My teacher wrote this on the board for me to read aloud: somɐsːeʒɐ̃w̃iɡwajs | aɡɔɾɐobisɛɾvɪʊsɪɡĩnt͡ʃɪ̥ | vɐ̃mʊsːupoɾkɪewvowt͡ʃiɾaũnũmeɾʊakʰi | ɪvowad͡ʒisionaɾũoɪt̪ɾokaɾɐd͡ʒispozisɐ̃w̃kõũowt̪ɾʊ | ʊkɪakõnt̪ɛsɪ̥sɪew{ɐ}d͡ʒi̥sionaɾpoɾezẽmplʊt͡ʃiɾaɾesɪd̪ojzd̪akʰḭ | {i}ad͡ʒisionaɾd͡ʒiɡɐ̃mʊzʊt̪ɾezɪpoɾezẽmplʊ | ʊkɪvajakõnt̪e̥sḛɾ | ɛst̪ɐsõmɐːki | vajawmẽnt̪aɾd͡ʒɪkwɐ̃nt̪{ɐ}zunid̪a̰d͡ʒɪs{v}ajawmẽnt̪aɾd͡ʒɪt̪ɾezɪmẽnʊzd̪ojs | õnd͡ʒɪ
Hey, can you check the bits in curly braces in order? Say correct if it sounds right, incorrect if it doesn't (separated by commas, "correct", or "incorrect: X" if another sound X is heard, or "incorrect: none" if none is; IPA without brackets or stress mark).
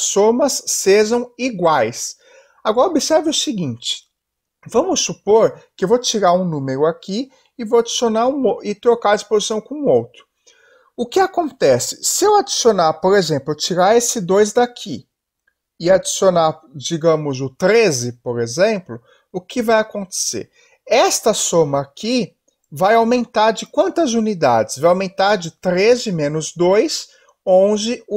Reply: incorrect: a, incorrect: ɪ, correct, correct